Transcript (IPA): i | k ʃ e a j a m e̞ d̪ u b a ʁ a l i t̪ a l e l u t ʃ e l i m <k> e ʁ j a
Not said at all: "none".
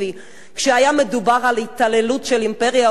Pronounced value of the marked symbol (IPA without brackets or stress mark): p